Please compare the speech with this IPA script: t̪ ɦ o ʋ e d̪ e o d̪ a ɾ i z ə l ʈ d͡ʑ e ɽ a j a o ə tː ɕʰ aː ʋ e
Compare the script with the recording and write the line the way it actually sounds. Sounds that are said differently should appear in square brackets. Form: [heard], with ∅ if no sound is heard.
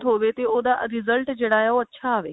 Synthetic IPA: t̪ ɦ o ʋ e [t̪] e o d̪ a ɾ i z ə l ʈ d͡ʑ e ɽ a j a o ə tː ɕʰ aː ʋ e